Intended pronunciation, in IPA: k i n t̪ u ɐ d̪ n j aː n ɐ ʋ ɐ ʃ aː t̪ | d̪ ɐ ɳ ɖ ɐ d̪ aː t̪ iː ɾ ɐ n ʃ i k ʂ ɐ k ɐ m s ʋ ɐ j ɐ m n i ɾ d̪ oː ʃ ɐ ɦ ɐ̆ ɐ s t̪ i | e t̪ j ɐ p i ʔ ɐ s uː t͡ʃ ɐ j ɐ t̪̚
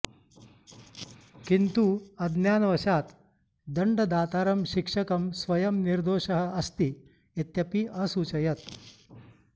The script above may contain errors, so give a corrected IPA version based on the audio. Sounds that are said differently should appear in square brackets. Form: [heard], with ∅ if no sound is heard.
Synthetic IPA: k i n t̪ u ɐ d̪ n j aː n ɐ ʋ ɐ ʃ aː t̪ | d̪ ɐ ɳ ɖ ɐ d̪ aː t̪ [aː] ɾ ɐ [m] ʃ i k ʂ ɐ k ɐ m s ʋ ɐ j ɐ m n i ɾ d̪ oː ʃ ɐ ɦ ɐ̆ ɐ s t̪ i | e t̪ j ɐ p i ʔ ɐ s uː t͡ʃ ɐ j ɐ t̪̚